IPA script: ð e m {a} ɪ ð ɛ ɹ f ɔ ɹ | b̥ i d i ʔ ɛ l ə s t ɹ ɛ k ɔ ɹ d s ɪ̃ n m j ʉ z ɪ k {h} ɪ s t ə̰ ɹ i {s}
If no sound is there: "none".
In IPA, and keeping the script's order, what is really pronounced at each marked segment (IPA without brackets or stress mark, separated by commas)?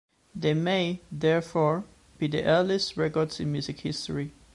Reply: e, h, none